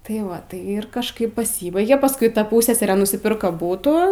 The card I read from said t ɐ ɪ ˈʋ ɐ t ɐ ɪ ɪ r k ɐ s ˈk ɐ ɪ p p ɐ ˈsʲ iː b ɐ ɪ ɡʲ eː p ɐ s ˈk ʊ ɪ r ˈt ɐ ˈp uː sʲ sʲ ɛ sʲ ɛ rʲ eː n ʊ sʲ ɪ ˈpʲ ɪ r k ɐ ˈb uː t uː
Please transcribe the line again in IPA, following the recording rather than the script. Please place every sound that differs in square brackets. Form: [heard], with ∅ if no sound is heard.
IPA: t ɐ ɪ ˈʋ ɐ t ɐ ɪ ɪ r k ɐ [ʃ] ˈk ɐ ɪ p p ɐ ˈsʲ iː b ɐ ɪ ɡʲ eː p ɐ s ˈk ʊ ɪ [∅] ˈt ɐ ˈp uː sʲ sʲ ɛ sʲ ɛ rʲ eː n ʊ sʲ ɪ ˈpʲ ɪ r k ɐ ˈb uː t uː